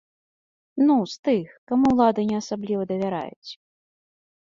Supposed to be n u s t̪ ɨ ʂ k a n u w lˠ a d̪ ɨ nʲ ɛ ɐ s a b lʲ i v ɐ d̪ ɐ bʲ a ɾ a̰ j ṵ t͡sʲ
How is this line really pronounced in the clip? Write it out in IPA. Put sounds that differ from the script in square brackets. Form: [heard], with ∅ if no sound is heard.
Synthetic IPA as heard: n u s t̪ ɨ [x] k a [m] u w lˠ a d̪ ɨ nʲ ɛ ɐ s a b lʲ i v ɐ d̪ ɐ [vʲ] a ɾ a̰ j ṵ t͡sʲ